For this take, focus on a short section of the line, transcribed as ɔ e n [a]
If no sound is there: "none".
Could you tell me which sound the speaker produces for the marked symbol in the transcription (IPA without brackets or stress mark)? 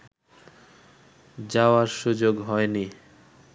i